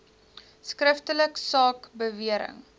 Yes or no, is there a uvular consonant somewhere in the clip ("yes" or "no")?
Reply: no